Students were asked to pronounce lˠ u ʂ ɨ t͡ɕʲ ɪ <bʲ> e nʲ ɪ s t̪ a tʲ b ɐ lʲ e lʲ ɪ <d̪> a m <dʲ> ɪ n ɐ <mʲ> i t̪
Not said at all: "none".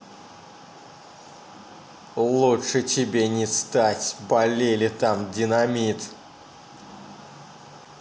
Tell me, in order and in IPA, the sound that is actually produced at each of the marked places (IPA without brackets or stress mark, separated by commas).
bʲ, t̪, dʲ, mʲ